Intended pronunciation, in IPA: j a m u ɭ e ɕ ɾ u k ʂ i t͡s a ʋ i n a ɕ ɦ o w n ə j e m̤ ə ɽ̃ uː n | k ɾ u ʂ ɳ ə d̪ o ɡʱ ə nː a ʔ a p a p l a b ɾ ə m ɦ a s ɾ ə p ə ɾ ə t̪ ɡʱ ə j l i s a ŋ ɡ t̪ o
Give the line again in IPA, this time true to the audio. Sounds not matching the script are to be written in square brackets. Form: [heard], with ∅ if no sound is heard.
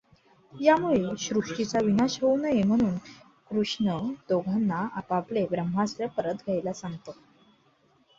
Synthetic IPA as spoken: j a m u ɭ e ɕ ɾ u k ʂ i t͡s a ʋ i n a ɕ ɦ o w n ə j e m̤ ə ɽ̃ uː n | k ɾ u ʂ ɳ ə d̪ o ɡʱ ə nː a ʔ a p a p l [e] b ɾ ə m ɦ a s ɾ ə p ə ɾ ə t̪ ɡʱ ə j l [a] s a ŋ ɡ t̪ o